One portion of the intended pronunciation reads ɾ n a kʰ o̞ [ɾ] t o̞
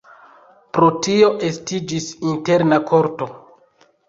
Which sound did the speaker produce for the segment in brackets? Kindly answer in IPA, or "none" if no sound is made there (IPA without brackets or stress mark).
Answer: ɾ